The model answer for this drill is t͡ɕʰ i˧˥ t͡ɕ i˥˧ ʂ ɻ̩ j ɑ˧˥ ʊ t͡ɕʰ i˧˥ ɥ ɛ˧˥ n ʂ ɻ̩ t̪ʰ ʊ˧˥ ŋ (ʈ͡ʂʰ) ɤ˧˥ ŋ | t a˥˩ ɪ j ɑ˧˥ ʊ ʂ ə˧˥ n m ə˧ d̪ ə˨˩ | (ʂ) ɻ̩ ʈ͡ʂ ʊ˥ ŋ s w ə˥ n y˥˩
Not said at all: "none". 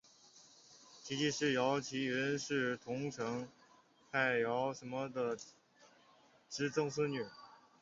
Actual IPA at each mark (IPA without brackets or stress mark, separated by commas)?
ʈ͡ʂʰ, ʈ͡ʂ